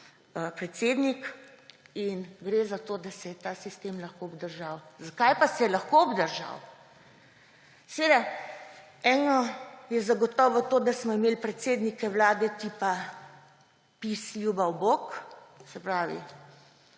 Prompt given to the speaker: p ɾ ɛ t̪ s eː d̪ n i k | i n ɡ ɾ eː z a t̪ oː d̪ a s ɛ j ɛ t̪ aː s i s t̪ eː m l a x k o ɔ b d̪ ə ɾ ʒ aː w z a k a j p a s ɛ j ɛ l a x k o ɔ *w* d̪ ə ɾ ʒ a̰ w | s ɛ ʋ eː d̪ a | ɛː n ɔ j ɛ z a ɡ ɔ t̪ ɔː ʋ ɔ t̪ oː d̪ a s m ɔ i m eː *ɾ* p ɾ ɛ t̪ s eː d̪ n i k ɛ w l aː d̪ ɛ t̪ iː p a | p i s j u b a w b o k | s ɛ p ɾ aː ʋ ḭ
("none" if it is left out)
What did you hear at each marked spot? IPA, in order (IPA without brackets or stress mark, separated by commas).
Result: b, l